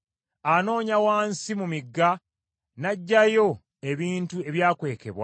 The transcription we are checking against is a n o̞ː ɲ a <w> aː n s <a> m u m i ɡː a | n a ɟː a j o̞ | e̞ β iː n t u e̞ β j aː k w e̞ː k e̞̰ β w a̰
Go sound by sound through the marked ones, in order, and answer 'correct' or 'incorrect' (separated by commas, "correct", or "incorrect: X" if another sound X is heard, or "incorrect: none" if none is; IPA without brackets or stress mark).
correct, incorrect: i